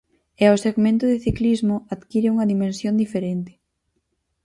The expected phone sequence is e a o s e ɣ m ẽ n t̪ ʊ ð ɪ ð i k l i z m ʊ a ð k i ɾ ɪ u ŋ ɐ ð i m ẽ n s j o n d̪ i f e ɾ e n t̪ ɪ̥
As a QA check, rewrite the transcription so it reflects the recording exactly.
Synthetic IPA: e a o s e ɣ m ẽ n t̪ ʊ ð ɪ θ i k l i z m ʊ a ð k i ɾ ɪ u ŋ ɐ ð i m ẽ n s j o n d̪ i f e ɾ e n t̪ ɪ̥